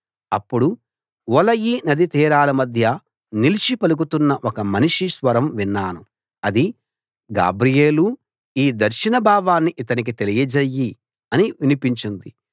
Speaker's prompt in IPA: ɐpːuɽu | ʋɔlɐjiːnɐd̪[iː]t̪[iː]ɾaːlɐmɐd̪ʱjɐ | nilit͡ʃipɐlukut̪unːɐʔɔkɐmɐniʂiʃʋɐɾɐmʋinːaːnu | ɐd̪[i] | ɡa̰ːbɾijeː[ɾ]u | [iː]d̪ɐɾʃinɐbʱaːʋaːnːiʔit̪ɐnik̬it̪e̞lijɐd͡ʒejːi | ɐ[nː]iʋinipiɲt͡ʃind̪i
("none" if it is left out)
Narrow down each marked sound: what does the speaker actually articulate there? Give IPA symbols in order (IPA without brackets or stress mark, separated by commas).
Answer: i, iː, i, l, iː, n